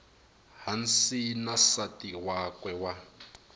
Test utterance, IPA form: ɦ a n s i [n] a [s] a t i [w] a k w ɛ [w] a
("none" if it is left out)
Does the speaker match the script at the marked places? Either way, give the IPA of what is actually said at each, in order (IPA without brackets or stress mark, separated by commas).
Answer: n, s, w, w